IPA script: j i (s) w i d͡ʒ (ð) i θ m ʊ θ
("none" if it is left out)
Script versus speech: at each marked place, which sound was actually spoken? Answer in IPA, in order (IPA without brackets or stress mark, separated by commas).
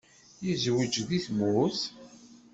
z, ð